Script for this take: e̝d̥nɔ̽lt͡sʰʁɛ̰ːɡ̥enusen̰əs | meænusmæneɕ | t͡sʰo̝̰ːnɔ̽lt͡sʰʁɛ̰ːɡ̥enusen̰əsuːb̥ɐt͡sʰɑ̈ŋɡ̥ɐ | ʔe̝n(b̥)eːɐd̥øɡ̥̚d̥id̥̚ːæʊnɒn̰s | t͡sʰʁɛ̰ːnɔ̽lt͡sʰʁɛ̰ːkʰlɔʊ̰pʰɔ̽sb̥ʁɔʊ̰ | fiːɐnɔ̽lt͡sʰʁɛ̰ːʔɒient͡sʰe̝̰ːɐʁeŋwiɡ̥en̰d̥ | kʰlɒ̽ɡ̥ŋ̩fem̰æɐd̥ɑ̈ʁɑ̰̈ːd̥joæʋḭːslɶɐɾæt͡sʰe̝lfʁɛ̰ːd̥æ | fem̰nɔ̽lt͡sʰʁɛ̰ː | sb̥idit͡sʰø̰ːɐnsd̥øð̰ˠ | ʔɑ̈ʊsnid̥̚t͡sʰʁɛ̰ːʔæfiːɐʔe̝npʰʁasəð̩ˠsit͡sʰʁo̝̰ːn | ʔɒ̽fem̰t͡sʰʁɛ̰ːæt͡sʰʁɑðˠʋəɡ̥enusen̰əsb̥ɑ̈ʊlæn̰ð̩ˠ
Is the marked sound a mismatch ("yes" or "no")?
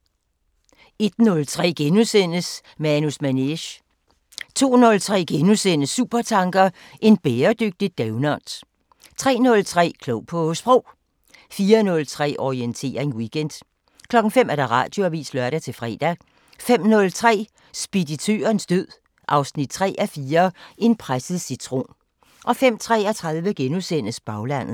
no